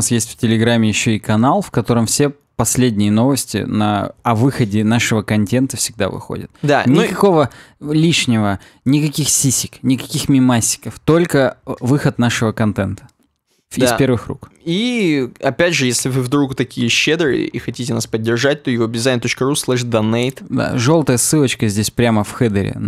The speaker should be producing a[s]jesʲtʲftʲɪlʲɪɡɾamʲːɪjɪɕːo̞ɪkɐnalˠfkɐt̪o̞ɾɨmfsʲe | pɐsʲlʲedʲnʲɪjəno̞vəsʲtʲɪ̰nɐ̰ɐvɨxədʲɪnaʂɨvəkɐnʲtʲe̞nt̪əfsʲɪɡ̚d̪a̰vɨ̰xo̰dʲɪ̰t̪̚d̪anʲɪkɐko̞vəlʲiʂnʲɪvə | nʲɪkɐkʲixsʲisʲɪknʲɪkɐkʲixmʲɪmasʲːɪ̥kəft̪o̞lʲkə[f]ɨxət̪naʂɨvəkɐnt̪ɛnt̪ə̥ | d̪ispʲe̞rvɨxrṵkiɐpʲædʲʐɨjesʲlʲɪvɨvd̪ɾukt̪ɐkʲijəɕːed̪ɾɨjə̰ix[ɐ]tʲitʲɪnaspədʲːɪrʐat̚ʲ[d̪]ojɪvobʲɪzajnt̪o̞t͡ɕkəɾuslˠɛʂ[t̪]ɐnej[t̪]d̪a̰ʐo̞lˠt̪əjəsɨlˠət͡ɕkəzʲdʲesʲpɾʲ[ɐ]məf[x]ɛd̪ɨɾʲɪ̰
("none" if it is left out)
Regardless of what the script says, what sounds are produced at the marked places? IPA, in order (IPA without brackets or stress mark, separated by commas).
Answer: s, v, ɐ, t̪, d̪, t̪, a, x